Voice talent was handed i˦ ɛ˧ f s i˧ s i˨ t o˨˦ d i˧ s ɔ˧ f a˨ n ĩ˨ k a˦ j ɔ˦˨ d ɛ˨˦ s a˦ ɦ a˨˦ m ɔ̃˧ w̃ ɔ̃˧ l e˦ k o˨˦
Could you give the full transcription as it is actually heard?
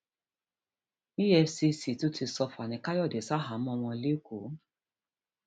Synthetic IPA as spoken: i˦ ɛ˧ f s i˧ s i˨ t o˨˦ t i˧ s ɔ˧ f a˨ n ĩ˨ k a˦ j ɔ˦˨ d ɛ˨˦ s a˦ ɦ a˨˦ m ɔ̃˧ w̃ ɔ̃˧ l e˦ k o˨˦